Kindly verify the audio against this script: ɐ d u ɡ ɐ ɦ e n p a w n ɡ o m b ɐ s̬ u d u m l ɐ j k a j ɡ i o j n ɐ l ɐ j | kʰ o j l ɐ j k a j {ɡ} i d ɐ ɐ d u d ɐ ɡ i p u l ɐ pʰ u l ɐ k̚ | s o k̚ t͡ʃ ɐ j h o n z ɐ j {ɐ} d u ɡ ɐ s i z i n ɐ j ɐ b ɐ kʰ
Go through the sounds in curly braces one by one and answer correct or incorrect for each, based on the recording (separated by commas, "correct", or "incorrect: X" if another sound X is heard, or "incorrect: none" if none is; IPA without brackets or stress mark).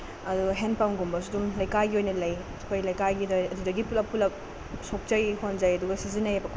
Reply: correct, correct